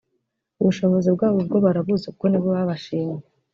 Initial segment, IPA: u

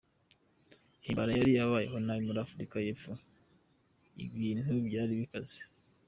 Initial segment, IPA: h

